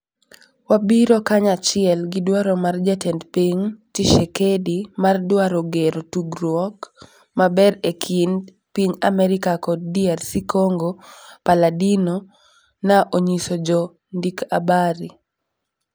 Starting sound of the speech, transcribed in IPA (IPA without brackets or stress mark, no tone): w